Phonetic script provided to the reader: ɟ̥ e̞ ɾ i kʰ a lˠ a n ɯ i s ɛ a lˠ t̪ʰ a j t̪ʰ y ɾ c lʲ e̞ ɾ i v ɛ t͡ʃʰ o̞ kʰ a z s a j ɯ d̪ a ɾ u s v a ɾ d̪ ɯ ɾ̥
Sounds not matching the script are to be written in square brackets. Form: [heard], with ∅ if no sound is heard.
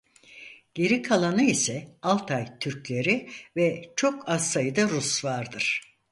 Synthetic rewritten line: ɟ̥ e̞ ɾ i kʰ a lˠ a n ɯ i s ɛ a lˠ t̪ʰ a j t̪ʰ y ɾ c lʲ e̞ ɾ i v ɛ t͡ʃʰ o̞ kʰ a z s a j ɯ d̪ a ɾ u s v a ɾ d̪ ɯ ɾ̥